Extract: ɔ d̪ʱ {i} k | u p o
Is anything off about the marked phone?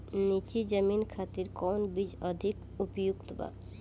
no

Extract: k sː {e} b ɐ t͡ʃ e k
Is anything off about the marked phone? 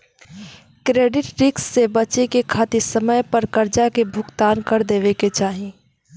no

